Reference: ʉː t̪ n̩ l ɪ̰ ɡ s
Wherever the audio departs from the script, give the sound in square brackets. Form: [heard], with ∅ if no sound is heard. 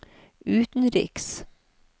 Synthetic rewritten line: ʉː t̪ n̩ [ɾ] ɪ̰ [k] s